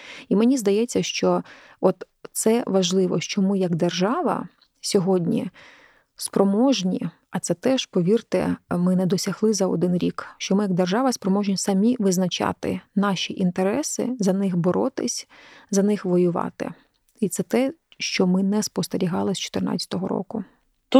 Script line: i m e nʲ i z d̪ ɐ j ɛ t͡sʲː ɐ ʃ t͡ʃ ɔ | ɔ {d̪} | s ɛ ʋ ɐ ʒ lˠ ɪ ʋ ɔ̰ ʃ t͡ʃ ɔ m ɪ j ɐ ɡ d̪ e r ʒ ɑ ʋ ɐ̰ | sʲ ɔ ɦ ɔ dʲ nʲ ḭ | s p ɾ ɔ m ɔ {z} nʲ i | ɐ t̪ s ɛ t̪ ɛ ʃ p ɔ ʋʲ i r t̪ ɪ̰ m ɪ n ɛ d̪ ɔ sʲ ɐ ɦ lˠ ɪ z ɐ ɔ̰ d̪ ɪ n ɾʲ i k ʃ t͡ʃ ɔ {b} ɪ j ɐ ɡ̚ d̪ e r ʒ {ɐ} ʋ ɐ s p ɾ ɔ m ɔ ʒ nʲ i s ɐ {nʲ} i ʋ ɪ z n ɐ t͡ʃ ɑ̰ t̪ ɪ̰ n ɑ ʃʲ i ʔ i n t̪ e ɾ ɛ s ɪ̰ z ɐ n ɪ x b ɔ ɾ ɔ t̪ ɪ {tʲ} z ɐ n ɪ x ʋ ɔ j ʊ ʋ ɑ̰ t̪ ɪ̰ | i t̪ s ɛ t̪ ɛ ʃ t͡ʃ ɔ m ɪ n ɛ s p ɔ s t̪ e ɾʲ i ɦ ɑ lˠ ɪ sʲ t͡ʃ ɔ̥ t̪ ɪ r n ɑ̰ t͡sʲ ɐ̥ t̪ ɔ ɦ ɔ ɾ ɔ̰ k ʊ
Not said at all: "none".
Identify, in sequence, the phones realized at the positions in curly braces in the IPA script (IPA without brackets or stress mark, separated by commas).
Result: t̪, ʒ, m, ɑ, mʲ, sʲ